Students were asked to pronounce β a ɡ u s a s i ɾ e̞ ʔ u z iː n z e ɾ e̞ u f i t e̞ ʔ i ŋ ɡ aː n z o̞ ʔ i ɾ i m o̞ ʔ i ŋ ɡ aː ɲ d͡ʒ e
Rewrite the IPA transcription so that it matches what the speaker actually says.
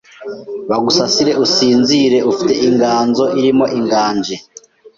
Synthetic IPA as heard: β a ɡ u s a s i ɾ e̞ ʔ u s iː n z i ɾ e̞ u f i t e̞ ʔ i ŋ ɡ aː n z o̞ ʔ i ɾ i m o̞ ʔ i ŋ ɡ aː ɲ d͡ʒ e